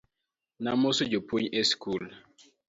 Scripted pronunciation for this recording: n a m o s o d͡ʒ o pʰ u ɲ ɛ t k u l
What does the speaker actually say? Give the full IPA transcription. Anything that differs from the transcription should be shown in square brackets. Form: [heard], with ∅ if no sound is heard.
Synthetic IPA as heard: n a m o s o d͡ʒ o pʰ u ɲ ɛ [s] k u l